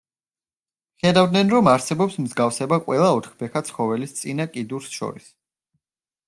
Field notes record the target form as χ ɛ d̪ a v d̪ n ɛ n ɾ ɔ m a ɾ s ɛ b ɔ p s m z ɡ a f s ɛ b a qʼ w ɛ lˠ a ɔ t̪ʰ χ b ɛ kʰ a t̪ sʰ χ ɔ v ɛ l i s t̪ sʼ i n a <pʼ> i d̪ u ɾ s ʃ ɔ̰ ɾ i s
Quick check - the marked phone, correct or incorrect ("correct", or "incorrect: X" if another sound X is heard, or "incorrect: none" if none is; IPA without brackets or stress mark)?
incorrect: kʼ